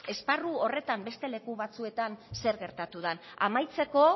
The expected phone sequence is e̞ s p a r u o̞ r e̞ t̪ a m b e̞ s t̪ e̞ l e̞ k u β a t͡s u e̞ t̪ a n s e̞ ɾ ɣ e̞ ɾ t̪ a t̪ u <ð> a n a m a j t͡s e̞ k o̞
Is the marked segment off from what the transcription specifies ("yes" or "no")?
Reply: no